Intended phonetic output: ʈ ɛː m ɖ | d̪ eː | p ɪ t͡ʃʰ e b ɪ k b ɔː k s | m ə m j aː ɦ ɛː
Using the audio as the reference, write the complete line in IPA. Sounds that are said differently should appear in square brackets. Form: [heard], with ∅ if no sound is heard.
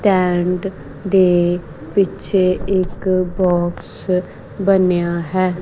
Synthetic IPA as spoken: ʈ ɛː [ɳ] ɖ | d̪ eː | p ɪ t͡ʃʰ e [∅] ɪ k b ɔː k s | [b] ə [n] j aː ɦ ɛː